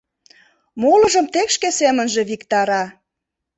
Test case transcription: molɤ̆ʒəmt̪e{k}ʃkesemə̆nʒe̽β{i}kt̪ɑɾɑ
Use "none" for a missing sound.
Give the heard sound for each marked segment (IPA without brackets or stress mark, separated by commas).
k, i